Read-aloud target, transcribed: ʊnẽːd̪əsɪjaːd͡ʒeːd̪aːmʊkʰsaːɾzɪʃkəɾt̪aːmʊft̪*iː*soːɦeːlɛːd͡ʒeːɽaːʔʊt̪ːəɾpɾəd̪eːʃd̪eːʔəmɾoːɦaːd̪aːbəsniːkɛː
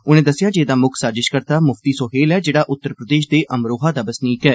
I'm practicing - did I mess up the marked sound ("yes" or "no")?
no